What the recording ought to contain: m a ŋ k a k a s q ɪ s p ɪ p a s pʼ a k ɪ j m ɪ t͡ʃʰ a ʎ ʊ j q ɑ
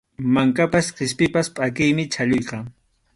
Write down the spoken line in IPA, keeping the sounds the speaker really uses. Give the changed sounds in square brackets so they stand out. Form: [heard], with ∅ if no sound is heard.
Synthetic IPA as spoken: m a ŋ k a [p] a s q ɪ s p ɪ p a s pʼ a k ɪ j m ɪ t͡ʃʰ a ʎ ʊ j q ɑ